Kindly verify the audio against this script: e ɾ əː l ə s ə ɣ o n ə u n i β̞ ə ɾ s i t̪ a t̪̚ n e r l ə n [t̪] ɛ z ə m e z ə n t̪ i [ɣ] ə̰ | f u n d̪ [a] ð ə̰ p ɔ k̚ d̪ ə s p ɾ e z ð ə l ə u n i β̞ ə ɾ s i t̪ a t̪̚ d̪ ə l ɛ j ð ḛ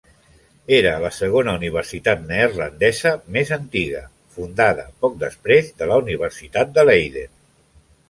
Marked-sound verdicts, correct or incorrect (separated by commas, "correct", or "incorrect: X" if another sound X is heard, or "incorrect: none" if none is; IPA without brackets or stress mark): incorrect: d̪, correct, correct